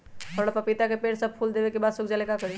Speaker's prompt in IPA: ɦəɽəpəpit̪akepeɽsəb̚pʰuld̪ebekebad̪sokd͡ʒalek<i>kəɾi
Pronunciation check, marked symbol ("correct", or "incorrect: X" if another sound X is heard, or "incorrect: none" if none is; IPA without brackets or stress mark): incorrect: a